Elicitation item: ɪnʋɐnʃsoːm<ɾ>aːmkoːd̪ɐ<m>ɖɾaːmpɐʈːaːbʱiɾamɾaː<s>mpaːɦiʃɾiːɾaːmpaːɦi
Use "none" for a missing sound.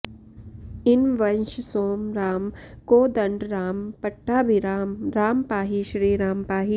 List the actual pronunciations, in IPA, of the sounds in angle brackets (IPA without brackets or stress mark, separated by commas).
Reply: ɾ, ɳ, none